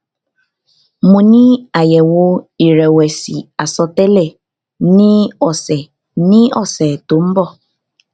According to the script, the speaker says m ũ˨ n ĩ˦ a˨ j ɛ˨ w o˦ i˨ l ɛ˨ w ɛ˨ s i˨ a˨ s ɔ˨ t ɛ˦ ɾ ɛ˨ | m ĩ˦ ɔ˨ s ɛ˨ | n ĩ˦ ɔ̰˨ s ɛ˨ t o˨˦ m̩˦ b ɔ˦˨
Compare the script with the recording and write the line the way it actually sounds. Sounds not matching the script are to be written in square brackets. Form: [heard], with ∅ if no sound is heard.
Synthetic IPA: m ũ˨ n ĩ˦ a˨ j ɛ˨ w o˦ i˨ [ɾ] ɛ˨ w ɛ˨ s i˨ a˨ s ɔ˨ t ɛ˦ [l] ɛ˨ | [n] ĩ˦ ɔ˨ s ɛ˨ | n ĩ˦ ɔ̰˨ s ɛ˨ t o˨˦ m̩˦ b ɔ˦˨

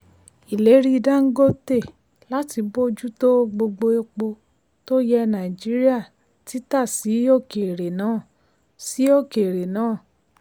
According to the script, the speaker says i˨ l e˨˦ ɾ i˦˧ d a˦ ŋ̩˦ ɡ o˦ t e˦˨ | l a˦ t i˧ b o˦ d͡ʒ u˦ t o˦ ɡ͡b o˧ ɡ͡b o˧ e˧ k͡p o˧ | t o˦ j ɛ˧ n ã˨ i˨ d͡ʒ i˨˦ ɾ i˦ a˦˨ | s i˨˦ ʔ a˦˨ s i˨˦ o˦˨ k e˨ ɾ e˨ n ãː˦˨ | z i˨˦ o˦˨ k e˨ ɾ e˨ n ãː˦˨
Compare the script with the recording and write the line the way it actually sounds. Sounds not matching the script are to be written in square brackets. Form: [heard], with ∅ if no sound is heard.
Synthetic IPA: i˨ l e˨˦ ɾ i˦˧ d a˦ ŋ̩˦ ɡ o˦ t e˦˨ | l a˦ t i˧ b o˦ d͡ʒ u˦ t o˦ ɡ͡b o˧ ɡ͡b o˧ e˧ k͡p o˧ | t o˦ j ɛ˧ n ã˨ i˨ d͡ʒ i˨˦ ɾ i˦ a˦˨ | [t] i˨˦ [t] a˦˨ s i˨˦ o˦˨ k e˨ ɾ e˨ n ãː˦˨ | [s] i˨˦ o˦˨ k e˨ ɾ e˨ n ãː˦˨

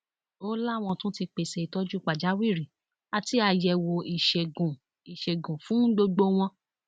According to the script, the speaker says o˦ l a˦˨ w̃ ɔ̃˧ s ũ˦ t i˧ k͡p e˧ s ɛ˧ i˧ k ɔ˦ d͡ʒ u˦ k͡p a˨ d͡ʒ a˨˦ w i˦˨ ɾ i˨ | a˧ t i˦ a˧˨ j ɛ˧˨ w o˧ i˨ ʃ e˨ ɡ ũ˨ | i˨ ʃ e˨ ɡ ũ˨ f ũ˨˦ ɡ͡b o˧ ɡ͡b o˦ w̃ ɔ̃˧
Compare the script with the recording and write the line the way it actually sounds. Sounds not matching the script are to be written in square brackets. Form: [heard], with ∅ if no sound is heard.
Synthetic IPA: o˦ l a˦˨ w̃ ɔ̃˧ [t] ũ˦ t i˧ k͡p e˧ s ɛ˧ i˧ [t] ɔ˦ d͡ʒ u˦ k͡p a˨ d͡ʒ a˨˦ w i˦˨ ɾ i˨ | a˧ t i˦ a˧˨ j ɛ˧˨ w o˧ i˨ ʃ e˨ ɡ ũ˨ | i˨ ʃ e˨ ɡ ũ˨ f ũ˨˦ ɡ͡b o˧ ɡ͡b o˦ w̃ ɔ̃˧

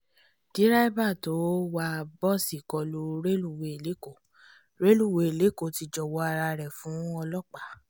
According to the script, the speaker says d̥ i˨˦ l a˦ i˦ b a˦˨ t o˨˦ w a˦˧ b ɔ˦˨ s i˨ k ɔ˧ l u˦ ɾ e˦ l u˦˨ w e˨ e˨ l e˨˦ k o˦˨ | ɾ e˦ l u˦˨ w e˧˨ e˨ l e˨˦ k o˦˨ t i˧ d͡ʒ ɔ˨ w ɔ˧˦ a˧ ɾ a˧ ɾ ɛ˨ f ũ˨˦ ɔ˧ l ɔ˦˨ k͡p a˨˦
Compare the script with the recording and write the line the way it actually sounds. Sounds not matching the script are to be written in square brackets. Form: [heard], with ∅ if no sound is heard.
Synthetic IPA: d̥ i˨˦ [ɾ] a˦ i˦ b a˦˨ t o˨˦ w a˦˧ b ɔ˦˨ s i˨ k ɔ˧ l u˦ ɾ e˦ l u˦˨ w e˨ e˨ l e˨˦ k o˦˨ | ɾ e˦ l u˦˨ w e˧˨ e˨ l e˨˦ k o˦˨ t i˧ d͡ʒ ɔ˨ w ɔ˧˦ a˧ ɾ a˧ ɾ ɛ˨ f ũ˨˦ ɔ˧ l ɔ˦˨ k͡p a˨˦

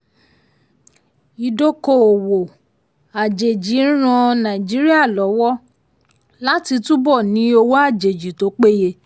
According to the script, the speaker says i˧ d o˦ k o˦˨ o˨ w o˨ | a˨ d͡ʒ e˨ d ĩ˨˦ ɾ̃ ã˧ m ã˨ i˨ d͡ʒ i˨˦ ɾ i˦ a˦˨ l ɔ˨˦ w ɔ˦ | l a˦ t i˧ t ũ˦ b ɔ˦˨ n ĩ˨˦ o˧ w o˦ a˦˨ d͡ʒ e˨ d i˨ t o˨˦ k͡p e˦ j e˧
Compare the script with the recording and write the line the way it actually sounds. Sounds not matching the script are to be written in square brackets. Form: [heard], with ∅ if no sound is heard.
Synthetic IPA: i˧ d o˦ k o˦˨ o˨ w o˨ | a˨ d͡ʒ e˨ [d͡ʒ] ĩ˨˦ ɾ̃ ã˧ [n] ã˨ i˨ d͡ʒ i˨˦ ɾ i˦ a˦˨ l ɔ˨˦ w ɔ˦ | l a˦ t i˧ t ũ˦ b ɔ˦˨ n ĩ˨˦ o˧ w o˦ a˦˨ d͡ʒ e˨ [d͡ʒ] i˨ t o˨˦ k͡p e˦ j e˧

